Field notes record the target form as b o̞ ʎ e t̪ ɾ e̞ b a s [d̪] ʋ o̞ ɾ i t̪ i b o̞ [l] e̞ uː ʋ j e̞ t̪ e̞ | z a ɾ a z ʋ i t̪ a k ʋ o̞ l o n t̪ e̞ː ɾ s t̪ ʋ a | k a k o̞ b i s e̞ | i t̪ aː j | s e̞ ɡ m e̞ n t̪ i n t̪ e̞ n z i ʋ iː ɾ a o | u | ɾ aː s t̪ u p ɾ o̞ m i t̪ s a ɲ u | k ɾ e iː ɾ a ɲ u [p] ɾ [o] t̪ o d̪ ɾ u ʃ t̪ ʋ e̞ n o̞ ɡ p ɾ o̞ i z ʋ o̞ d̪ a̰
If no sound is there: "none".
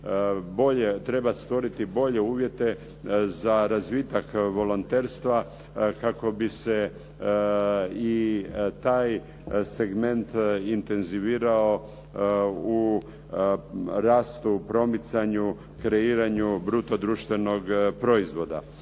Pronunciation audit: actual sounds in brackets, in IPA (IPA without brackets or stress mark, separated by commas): t̪, ʎ, b, u